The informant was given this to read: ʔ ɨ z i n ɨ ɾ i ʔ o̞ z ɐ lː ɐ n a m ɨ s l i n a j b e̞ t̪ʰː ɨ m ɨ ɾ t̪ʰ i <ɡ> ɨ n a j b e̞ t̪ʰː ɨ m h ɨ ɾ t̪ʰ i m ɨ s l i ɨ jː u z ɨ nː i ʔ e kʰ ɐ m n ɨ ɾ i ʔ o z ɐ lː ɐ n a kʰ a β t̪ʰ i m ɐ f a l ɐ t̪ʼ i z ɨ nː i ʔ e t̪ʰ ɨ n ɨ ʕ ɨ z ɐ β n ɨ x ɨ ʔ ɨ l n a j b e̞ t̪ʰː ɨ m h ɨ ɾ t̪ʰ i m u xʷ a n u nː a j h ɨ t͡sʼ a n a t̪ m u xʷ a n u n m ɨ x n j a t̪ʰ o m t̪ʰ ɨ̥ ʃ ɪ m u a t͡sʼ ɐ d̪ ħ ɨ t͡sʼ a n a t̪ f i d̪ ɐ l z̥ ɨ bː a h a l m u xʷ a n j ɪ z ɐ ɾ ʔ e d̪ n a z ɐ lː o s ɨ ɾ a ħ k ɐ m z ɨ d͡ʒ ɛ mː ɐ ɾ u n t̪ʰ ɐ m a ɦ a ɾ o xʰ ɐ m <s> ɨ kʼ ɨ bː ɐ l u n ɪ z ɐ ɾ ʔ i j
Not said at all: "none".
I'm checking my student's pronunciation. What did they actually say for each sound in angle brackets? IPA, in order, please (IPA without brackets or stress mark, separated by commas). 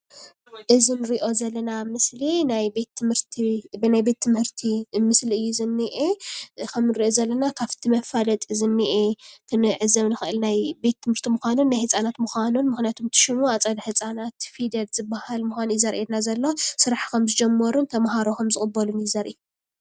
b, z